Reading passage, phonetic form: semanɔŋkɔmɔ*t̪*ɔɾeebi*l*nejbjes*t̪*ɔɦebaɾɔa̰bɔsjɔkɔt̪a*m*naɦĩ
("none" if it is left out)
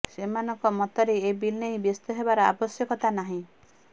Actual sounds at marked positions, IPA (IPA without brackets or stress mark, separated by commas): t̪, l, t̪, none